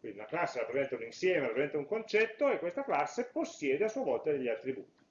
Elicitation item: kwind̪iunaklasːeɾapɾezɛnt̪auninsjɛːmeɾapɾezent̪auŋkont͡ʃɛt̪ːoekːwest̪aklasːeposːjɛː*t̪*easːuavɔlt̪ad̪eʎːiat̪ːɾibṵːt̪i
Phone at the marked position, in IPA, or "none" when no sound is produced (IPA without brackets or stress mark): d̪